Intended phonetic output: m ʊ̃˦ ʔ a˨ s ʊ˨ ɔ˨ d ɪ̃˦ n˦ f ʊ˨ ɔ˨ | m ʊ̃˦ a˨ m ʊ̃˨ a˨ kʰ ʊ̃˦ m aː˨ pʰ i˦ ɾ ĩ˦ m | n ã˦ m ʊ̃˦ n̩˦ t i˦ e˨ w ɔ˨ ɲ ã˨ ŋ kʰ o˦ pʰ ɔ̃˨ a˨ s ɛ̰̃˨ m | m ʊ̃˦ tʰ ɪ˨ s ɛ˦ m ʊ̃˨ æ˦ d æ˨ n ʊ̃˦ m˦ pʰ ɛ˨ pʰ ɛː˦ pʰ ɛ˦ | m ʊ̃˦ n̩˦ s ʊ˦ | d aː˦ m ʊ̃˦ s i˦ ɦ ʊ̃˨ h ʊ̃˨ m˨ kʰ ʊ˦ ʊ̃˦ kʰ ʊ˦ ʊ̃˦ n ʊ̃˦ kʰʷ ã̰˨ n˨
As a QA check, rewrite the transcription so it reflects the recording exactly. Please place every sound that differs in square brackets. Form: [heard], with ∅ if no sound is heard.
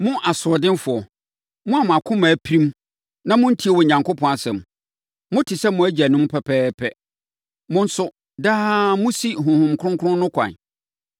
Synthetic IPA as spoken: m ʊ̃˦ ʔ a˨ s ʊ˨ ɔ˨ d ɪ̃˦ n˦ f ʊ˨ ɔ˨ | m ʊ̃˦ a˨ m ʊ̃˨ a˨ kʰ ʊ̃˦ m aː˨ pʰ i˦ ɾ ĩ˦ m | n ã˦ m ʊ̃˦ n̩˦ [tʰ] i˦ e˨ w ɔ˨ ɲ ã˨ ŋ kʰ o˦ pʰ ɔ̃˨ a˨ s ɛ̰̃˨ m | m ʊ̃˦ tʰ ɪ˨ s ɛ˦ m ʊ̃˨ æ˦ [d͡ʑ] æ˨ n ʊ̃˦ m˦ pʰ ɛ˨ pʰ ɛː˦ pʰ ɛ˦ | m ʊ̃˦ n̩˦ s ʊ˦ | d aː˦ m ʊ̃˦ s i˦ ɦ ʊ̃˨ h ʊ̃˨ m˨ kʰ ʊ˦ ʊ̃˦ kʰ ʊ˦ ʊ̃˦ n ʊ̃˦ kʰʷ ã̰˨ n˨